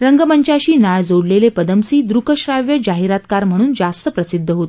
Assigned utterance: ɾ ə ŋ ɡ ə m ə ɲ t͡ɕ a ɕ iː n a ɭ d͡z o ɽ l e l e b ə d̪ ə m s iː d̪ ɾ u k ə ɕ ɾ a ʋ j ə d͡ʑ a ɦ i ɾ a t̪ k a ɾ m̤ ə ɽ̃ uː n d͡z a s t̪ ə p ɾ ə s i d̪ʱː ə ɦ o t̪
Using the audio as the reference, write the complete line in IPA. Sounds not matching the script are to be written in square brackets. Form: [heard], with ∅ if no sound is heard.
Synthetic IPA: ɾ ə ŋ ɡ ə m ə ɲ t͡ɕ a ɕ iː n a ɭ d͡z o ɽ l e l e [p] ə d̪ ə m s iː d̪ ɾ u k ə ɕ ɾ a ʋ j ə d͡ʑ a ɦ i ɾ a t̪ k a ɾ m̤ ə ɽ̃ uː n d͡z a s t̪ ə p ɾ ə s i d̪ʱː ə ɦ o t̪